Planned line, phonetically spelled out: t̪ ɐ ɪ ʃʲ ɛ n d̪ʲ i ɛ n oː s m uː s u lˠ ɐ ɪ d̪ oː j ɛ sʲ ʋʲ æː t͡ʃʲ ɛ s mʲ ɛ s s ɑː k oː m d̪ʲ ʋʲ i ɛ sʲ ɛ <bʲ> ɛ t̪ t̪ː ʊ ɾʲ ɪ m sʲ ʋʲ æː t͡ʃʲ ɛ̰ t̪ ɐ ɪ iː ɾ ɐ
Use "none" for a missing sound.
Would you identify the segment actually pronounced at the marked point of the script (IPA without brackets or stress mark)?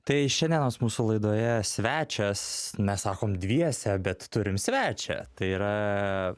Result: bʲ